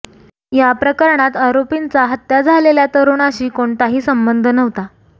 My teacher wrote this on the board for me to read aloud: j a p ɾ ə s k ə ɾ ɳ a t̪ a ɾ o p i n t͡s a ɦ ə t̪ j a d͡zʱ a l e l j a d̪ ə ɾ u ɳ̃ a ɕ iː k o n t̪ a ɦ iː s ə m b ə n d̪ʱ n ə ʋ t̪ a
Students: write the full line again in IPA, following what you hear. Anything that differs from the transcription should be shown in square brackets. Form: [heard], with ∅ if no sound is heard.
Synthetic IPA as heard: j a p ɾ ə [∅] k ə ɾ ɳ a t̪ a ɾ o p i n t͡s a ɦ ə t̪ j a d͡zʱ a l e l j a [t̪] ə ɾ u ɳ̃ a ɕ iː k o [ɳ] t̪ a ɦ iː s ə m b ə n d̪ʱ n ə ʋ t̪ a